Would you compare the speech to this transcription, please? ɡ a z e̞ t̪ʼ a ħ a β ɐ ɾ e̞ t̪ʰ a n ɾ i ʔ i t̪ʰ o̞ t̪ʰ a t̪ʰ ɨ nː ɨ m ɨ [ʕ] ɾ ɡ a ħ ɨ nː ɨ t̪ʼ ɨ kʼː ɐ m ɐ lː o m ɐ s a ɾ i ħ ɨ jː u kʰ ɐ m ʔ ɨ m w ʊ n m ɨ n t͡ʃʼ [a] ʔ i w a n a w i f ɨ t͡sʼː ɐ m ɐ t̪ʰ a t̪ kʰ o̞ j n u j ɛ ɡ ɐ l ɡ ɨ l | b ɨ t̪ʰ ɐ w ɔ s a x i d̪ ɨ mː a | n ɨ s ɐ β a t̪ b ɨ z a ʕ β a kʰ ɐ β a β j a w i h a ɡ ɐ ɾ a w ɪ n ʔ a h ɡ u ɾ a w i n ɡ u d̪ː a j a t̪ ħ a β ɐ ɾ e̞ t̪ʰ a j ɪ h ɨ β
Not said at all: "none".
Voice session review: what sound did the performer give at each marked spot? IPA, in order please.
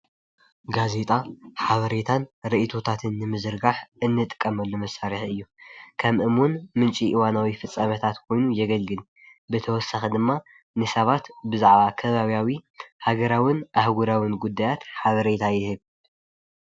z, i

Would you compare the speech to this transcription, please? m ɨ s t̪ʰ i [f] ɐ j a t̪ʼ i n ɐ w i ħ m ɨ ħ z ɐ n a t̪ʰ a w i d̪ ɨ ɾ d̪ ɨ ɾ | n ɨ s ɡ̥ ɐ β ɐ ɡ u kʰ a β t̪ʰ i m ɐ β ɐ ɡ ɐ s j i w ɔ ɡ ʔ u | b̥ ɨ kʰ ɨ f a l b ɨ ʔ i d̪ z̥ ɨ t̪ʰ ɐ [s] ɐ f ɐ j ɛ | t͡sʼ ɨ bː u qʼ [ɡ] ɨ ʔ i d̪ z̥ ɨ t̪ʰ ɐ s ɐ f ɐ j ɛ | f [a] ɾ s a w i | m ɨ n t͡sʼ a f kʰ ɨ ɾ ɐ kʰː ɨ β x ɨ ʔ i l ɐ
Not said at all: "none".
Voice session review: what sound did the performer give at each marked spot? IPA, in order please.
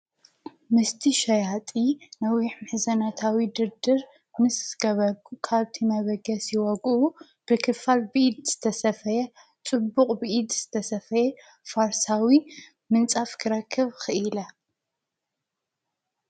ʃ, s, b, a

